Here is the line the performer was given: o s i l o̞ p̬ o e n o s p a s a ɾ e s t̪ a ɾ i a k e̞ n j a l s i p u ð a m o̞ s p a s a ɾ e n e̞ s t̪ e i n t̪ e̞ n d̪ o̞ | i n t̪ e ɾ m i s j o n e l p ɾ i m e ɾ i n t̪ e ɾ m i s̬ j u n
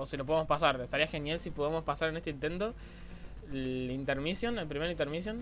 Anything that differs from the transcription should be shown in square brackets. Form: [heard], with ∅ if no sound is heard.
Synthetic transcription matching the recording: o s i l o̞ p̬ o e [m] o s p a s a ɾ e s t̪ a ɾ i a [x] e̞ n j a l s i p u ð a m o̞ s p a s a ɾ e n e̞ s t̪ e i n t̪ e̞ n [t̪] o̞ | i n t̪ e ɾ m i s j o n e l p ɾ i m e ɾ i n t̪ e ɾ m i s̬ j [o] n